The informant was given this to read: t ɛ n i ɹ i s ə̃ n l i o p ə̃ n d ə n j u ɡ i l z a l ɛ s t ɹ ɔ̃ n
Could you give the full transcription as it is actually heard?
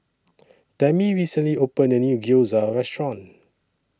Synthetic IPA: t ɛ m i ɹ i s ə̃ n l i o p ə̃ n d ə n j u ɡ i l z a ɹ ɛ s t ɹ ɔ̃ n